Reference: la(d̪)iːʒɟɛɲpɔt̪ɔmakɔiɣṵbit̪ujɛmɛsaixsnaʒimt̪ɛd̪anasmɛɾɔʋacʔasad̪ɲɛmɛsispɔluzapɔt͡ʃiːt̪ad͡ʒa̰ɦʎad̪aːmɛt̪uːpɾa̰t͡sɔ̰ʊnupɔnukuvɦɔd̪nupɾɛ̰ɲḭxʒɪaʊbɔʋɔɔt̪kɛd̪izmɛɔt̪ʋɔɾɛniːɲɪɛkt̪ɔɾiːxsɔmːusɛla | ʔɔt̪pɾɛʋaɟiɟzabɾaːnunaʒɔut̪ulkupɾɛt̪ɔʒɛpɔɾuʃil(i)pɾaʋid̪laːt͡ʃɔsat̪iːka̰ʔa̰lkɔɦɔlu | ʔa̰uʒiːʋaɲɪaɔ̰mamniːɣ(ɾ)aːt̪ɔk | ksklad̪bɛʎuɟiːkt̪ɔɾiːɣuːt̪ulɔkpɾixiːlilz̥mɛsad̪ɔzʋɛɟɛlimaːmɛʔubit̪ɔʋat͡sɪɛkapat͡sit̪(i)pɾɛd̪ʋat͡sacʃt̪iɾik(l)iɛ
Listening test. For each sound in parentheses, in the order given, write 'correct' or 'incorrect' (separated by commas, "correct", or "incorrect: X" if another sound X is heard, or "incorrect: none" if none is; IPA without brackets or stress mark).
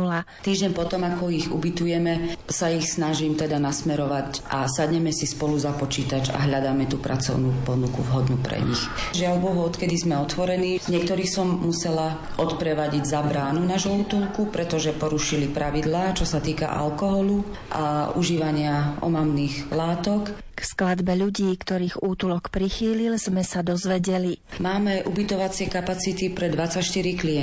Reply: incorrect: t̪, correct, incorrect: l, correct, correct